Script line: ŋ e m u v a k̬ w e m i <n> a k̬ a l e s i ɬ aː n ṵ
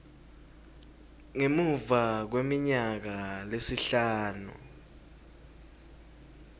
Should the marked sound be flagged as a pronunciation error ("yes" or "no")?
yes